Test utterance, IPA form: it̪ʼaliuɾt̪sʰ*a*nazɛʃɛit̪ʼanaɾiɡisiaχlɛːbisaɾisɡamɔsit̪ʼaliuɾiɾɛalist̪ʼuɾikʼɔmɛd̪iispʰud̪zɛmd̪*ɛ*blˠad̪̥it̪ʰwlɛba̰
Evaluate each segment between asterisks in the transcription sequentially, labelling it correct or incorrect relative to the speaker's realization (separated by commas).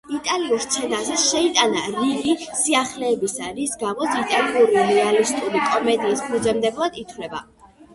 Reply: incorrect, correct